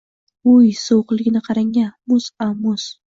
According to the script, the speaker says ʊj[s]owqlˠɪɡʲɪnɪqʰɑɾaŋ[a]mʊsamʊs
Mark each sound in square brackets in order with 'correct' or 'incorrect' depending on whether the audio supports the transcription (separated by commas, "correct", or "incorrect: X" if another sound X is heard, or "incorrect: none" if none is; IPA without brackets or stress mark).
correct, correct